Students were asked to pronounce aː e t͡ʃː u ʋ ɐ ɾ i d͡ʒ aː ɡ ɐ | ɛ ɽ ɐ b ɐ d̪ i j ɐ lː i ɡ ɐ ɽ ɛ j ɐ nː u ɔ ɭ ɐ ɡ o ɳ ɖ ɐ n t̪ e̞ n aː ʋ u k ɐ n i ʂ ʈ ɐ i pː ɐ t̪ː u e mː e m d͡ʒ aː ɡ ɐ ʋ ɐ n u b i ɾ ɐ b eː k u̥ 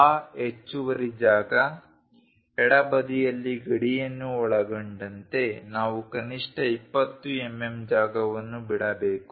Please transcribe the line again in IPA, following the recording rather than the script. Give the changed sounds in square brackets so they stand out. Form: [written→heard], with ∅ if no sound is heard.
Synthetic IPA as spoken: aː e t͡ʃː u ʋ ɐ ɾ i d͡ʒ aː ɡ ɐ | ɛ ɽ ɐ b ɐ d̪ i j ɐ lː i ɡ ɐ ɽ [ɛ→i] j ɐ nː u ɔ ɭ ɐ ɡ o ɳ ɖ ɐ n t̪ e̞ n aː ʋ u k ɐ n i ʂ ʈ ɐ i pː ɐ t̪ː u e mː e m d͡ʒ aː ɡ ɐ ʋ ɐ [n→nː] u b i [ɾ→ɽ] ɐ b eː k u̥